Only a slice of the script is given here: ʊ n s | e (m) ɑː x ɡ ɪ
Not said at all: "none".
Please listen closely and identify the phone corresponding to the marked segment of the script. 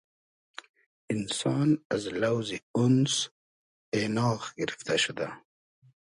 n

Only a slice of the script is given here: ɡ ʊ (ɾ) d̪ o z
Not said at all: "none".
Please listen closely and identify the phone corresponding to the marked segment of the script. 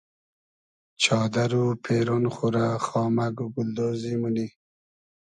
l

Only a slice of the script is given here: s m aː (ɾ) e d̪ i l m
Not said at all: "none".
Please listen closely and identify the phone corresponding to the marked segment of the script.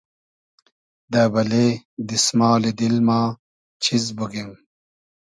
l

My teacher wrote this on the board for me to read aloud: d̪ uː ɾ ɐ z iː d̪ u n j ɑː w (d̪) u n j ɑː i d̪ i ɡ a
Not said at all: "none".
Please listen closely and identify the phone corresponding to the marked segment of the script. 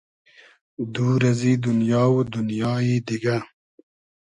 d̪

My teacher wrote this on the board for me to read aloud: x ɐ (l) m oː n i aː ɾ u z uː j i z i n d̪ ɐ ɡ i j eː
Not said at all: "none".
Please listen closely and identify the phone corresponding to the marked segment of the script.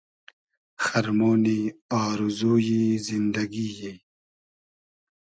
ɾ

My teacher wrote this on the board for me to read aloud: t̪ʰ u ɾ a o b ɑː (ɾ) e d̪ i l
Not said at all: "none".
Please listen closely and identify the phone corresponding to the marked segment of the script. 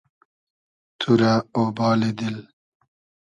l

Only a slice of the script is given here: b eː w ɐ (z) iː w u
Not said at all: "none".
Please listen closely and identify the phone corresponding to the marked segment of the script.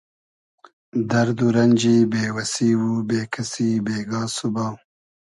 s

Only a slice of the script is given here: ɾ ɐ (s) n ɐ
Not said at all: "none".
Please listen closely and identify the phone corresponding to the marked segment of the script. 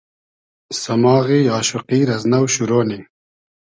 z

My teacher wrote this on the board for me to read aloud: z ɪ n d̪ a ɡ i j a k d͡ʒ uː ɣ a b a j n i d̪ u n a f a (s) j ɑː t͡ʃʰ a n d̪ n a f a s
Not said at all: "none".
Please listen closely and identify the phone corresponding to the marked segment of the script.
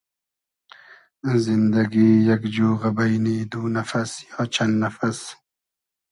s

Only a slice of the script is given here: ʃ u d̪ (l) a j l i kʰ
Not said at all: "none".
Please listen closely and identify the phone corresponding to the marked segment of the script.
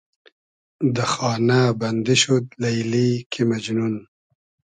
l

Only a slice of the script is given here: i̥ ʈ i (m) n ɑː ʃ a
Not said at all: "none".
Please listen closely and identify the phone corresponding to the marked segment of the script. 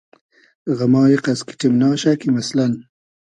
m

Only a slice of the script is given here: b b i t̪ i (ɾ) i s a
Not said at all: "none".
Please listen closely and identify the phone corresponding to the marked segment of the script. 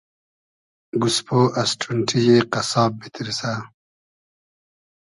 ɾ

